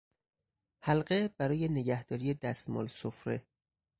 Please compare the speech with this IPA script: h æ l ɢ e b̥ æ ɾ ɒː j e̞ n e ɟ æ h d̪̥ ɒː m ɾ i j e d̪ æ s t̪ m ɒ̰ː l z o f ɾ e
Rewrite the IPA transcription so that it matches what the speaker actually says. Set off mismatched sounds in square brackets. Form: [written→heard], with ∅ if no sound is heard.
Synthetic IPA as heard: h æ l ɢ e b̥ æ ɾ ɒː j e̞ n e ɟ æ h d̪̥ ɒː [m→∅] ɾ i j e d̪ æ s t̪ m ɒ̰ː l [z→s] o f ɾ e